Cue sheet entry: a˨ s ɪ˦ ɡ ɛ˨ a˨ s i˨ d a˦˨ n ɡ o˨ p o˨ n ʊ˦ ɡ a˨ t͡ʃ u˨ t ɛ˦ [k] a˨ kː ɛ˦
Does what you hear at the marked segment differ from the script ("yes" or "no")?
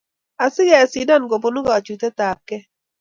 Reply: yes